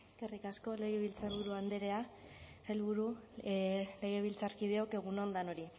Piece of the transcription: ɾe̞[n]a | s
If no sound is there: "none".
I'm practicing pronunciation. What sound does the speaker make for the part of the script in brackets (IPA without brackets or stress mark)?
none